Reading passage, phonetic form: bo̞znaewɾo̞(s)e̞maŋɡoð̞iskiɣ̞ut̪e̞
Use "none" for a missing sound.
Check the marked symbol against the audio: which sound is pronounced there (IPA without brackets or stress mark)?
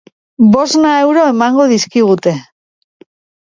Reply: none